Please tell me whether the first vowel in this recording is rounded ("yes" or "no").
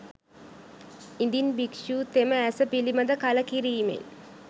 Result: no